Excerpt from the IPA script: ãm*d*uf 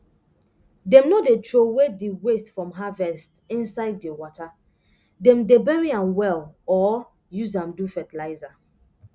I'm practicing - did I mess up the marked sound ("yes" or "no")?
no